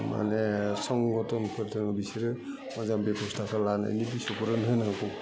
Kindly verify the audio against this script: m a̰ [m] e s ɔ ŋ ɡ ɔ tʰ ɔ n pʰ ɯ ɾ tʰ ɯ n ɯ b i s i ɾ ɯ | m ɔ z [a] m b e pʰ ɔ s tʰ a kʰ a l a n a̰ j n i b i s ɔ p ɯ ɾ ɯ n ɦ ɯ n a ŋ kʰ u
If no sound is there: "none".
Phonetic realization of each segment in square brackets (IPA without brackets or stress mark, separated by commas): n, a